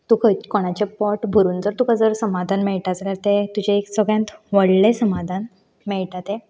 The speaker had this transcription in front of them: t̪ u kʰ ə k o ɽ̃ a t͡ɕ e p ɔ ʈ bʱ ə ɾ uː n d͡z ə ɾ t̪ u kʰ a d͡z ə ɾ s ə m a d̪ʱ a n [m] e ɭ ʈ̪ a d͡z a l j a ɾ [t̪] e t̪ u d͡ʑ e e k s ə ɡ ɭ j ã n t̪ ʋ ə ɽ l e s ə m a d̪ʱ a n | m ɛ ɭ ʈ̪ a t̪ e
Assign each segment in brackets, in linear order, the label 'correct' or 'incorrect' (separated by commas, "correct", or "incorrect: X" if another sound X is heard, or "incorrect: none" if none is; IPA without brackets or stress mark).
correct, correct